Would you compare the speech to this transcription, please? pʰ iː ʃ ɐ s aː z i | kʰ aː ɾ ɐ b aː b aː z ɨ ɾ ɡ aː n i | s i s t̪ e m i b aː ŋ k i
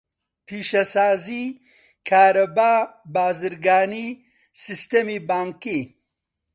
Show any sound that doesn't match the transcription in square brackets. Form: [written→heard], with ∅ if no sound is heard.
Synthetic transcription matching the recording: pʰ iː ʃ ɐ s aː z i | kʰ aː ɾ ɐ b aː b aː z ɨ ɾ ɡ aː n i | s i s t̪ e m i b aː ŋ k i